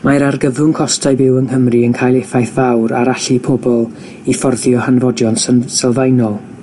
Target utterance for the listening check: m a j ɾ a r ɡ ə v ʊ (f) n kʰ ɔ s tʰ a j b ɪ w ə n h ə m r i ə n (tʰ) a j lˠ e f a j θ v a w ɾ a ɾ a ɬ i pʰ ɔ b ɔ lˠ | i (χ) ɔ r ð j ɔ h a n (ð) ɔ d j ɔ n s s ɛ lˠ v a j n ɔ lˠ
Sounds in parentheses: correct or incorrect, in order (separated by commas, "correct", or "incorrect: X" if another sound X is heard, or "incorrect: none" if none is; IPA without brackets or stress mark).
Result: incorrect: none, incorrect: kʰ, incorrect: f, incorrect: v